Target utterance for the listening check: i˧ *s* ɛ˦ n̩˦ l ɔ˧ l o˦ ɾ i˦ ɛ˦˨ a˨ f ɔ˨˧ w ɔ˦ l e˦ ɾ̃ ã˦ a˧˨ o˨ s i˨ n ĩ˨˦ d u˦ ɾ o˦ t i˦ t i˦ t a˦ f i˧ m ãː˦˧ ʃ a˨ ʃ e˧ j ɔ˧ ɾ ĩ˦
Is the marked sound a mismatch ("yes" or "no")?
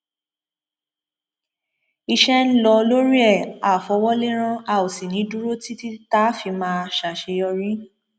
yes